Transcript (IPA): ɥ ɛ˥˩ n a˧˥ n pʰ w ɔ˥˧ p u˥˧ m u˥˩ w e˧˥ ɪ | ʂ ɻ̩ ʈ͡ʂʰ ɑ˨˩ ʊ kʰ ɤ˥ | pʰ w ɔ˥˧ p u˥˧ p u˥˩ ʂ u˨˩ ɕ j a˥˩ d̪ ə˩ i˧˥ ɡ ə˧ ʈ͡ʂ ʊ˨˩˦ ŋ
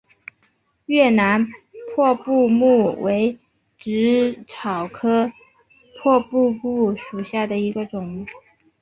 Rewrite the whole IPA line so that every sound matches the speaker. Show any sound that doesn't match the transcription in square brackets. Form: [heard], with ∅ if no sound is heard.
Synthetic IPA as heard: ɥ ɛ˥˩ n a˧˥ n pʰ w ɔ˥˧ p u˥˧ m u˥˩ w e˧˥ ɪ | [ʈ͡ʂ] ɻ̩ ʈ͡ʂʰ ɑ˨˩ ʊ kʰ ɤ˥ | pʰ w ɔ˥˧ p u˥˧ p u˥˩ ʂ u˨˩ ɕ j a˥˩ d̪ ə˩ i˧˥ ɡ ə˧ ʈ͡ʂ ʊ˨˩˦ ŋ